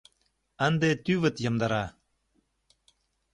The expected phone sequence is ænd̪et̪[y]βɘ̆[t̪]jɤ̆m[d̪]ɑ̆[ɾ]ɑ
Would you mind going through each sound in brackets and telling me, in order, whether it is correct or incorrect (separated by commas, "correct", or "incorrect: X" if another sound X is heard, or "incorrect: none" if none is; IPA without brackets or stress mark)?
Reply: correct, correct, correct, correct